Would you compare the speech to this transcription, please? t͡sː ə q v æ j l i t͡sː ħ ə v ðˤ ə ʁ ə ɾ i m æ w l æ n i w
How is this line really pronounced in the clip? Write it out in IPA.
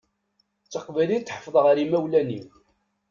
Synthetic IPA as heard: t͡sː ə q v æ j l i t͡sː ħ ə f ðˤ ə ʁ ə ɾ i m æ w l æ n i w

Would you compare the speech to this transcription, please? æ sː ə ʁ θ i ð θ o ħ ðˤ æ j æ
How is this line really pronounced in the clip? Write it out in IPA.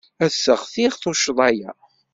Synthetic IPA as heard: æ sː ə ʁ θ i ʁ θ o ʃ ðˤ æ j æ

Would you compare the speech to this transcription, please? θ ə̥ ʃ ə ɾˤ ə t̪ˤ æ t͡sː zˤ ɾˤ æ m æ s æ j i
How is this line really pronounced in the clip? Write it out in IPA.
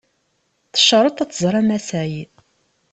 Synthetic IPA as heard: θ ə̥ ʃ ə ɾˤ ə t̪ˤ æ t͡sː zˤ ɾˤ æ m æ s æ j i

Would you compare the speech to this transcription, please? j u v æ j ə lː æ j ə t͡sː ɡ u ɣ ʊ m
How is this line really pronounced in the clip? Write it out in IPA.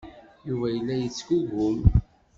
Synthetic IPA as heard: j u v æ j ə lː æ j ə t͡sː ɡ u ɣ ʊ m

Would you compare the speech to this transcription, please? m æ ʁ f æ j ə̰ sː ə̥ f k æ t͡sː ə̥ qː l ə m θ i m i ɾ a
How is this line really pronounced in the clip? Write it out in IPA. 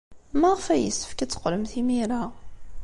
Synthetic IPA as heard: m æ ʁ f æ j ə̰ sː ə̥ f k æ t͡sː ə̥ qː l ə m θ i m i ɾ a

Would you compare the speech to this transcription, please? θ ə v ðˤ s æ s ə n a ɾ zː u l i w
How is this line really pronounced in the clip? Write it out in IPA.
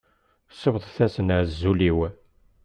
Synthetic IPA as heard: s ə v ðˤ θ æ s ə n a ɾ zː u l i w

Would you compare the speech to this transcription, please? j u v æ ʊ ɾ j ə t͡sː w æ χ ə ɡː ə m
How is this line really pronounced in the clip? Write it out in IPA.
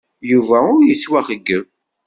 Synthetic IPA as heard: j u v æ ʊ ɾ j ə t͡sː w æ χ ə ɡː ə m

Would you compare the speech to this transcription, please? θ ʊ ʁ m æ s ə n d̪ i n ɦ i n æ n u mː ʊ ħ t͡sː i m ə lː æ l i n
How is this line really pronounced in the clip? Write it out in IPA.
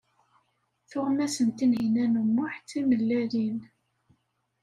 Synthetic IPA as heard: θ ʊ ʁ m æ s ə n t̪ i n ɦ i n æ n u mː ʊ ħ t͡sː i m ə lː æ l i n

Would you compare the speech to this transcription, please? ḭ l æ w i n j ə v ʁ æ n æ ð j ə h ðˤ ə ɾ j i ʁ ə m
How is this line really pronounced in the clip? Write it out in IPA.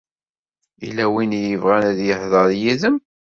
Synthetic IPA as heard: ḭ l æ w i n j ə v ʁ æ n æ ð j ə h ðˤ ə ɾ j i ð ə m

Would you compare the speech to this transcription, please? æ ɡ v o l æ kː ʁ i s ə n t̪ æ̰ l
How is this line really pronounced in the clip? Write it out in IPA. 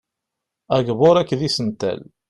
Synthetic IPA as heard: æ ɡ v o ɾ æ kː ð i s ə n t̪ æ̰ l

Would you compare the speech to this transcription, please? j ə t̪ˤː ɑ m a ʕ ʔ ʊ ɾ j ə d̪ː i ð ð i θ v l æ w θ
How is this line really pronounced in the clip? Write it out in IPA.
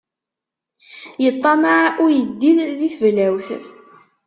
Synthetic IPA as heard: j ə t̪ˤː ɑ m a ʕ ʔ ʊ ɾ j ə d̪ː i ð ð i θ v l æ w θ

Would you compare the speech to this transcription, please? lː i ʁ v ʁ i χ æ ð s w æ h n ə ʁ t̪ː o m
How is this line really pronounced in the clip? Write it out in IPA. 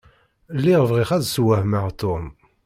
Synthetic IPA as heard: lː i ʁ v ʁ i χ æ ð s w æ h m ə ʁ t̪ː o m

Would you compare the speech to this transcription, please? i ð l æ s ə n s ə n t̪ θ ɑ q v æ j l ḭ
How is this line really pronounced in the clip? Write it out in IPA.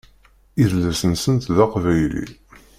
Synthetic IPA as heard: i ð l æ s ə n s ə n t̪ ð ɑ q v æ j l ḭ

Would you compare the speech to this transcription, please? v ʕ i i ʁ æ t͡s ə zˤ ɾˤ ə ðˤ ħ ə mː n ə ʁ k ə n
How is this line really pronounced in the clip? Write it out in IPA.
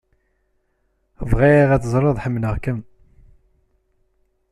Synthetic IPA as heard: v ʁ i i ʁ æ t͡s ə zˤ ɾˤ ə ðˤ ħ ə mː n ə ʁ k ə m

